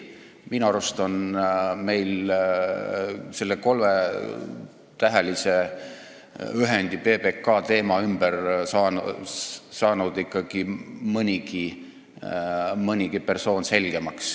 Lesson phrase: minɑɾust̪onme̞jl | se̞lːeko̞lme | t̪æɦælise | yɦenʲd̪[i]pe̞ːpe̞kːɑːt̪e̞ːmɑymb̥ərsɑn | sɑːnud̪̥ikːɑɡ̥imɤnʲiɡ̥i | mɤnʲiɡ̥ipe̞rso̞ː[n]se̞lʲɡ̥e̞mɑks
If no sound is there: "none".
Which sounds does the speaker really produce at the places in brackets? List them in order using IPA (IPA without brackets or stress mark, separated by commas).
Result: i, n